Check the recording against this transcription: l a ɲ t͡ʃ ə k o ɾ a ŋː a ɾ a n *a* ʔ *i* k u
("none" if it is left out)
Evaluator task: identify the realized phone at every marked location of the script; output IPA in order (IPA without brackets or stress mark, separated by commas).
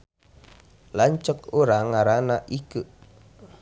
a, i